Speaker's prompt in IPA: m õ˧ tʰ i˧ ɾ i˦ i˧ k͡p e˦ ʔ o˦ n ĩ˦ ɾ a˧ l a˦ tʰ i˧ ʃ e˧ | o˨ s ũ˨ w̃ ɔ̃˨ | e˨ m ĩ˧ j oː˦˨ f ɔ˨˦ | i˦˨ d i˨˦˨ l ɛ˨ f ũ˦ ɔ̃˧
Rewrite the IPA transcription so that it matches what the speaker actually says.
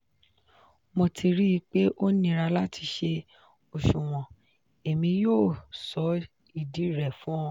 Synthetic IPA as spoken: m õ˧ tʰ i˧ ɾ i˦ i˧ k͡p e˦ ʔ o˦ n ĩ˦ ɾ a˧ l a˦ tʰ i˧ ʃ e˧ | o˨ ʃ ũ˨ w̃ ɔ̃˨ | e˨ m ĩ˧ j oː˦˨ s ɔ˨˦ | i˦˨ d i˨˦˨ ɾ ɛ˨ f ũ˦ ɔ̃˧